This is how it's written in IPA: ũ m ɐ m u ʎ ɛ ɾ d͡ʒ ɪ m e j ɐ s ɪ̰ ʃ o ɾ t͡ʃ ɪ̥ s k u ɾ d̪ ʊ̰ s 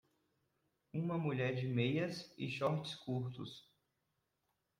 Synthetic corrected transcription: ũ m ɐ m u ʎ ɛ ɾ d͡ʒ ɪ m e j ɐ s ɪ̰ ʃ ɔ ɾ t͡ʃ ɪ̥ s k u ɾ t̪ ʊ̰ s